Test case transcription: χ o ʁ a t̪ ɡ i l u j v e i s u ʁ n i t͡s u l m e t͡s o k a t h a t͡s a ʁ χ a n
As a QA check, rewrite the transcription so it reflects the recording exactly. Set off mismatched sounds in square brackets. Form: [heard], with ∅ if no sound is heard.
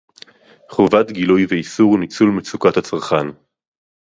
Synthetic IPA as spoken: χ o [v] a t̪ ɡ i l u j v e i s u ʁ n i t͡s u l m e t͡s [u] k a t h a t͡s a ʁ χ a n